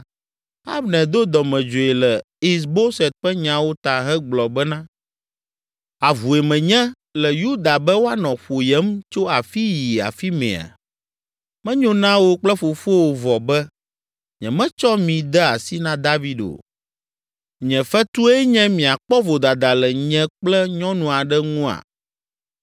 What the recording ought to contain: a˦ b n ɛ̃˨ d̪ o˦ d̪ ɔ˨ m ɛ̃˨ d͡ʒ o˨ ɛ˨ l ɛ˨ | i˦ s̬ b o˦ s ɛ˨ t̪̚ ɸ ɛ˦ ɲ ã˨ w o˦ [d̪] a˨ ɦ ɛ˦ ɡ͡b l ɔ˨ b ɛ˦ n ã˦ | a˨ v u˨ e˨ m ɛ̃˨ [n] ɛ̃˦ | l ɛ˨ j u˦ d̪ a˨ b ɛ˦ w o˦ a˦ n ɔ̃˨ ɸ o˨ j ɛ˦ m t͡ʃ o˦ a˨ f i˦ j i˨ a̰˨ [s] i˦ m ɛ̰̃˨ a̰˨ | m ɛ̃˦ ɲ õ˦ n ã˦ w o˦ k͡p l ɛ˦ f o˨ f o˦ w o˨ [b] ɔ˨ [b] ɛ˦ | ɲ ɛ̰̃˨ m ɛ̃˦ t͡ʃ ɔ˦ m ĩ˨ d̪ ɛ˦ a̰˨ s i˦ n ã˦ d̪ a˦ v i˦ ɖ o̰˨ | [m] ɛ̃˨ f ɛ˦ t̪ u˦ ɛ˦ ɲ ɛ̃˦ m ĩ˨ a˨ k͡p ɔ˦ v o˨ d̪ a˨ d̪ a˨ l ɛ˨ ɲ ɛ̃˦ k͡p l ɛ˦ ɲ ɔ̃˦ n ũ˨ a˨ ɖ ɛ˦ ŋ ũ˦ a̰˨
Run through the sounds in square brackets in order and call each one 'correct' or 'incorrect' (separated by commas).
incorrect, incorrect, incorrect, incorrect, correct, incorrect